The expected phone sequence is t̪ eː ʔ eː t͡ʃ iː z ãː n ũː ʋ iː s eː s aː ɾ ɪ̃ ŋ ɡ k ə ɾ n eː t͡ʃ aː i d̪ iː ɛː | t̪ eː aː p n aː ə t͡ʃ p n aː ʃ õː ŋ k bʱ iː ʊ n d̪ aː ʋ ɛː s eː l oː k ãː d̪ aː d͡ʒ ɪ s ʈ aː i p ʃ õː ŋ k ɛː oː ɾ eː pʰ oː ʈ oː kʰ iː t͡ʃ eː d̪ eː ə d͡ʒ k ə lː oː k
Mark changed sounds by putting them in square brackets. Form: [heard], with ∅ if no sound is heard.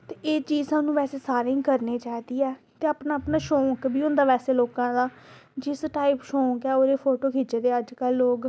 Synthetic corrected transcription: t̪ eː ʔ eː t͡ʃ iː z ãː n ũː ʋ [ɛː] s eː s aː ɾ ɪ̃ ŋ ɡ k ə ɾ n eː t͡ʃ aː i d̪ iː ɛː | t̪ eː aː p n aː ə [∅] p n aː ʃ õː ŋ k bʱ iː ʊ n d̪ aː ʋ ɛː s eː l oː k ãː d̪ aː d͡ʒ ɪ s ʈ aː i p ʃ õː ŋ k ɛː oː ɾ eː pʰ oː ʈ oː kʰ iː t͡ʃ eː d̪ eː ə d͡ʒ k ə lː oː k